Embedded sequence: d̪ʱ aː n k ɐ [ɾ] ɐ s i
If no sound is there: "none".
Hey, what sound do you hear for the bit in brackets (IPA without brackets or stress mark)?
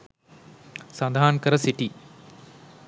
ɾ